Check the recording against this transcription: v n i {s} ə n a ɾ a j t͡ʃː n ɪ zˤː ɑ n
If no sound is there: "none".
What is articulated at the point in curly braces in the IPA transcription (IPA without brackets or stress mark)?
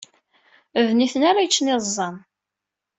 θ